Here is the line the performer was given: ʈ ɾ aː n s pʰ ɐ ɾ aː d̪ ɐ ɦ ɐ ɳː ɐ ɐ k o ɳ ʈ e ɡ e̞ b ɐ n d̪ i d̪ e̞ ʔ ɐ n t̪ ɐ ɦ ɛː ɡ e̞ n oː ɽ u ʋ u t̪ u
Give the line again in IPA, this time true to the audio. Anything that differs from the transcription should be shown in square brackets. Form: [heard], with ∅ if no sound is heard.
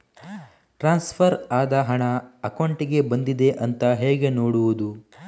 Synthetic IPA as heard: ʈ ɾ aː n s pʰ ɐ ɾ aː d̪ ɐ ɦ ɐ [ɳ] ɐ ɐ k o ɳ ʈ [i] ɡ e̞ b ɐ n d̪ i d̪ e̞ ʔ ɐ n t̪ ɐ ɦ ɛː ɡ e̞ n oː ɽ u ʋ u [d̪] u